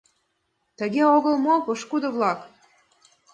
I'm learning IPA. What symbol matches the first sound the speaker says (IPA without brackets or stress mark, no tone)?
t̪